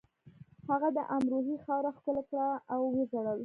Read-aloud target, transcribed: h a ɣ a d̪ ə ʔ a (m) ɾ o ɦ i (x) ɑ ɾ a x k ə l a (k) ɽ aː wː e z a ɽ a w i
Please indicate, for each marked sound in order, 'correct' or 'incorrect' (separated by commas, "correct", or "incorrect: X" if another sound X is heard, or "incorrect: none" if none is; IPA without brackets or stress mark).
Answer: correct, correct, correct